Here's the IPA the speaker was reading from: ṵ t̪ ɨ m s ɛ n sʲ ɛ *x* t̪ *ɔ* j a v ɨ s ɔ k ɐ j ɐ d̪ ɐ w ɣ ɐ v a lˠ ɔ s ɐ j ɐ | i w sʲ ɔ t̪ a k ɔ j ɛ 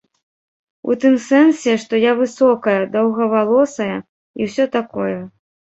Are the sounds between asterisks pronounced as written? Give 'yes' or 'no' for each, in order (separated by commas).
no, yes